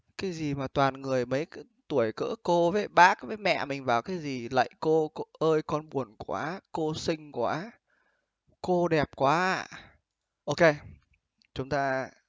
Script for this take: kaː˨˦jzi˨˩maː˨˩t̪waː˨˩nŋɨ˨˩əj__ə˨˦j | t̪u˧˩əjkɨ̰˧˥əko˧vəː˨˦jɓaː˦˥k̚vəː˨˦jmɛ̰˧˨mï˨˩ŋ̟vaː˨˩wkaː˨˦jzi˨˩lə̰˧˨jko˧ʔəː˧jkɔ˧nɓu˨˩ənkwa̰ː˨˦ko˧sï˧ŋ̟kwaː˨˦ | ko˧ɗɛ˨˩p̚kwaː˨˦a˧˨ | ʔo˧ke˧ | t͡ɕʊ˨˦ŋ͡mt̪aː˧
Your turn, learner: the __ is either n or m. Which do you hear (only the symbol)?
m